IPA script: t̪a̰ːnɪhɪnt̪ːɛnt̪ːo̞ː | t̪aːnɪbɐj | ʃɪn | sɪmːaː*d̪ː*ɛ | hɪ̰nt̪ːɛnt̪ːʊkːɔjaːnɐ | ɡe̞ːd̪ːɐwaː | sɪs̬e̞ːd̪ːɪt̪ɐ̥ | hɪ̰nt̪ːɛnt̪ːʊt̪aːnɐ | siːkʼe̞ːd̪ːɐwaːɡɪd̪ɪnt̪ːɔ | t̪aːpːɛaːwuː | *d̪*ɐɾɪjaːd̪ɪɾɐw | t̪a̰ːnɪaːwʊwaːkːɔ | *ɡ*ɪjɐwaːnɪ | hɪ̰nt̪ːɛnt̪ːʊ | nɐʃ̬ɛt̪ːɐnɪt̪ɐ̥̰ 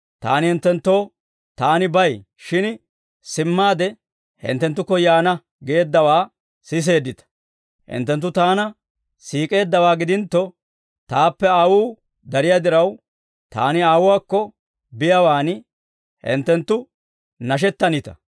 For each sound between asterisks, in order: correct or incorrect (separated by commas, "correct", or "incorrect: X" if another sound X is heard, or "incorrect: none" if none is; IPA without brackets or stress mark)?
incorrect: d̪, correct, incorrect: b